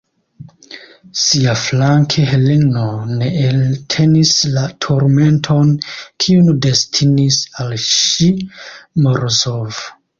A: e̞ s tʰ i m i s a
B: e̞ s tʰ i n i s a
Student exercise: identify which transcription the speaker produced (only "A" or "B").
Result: B